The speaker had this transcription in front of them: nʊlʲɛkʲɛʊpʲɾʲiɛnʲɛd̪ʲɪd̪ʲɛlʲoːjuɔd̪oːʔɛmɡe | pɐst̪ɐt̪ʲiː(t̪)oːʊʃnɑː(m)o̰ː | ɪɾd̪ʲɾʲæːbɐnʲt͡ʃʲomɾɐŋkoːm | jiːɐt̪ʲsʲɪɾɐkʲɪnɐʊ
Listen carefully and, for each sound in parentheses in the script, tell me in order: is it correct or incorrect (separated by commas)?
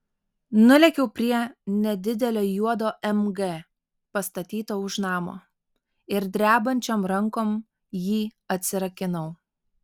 correct, correct